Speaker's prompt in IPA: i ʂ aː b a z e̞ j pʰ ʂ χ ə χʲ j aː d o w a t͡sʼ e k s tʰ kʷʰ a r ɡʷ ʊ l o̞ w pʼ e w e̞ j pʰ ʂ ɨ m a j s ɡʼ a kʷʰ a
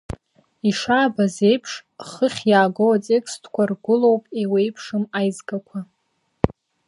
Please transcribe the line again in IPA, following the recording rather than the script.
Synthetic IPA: i ʂ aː b a z e̞ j pʰ ʂ χ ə χʲ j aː ɡ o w a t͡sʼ e k s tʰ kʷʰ a r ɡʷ ʊ l o̞ w pʼ e w e̞ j pʰ ʂ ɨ m a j z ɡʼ a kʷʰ a